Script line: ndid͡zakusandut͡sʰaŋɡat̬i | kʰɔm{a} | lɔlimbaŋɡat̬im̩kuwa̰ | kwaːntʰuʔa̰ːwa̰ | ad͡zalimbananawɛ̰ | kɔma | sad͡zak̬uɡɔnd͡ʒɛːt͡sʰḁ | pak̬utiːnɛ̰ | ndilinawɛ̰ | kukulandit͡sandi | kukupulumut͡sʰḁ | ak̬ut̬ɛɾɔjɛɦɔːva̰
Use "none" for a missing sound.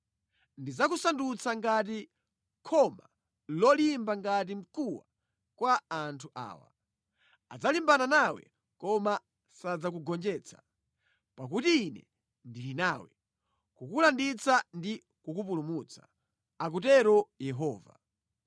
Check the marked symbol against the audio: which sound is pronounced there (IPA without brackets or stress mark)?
a